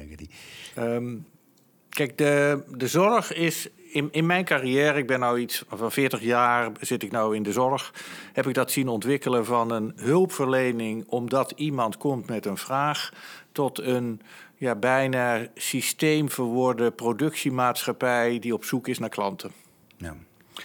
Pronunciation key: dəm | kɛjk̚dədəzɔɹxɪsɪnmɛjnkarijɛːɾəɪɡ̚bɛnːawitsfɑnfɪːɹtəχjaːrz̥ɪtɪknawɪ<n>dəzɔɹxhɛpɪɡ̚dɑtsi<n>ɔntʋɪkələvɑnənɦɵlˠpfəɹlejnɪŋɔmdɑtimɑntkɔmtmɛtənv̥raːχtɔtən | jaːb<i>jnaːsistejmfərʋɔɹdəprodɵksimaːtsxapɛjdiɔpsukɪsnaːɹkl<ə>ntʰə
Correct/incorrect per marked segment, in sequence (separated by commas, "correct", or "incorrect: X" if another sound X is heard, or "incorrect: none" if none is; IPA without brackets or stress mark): correct, correct, incorrect: ɛ, incorrect: ɑ